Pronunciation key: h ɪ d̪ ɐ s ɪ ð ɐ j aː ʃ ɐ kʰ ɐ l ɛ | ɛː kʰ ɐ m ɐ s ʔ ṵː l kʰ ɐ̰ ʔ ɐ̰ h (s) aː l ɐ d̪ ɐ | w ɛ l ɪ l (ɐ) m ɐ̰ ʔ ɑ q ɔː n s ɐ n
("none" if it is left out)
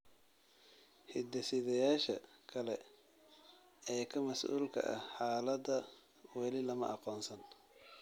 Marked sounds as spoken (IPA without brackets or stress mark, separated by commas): ħ, ɐ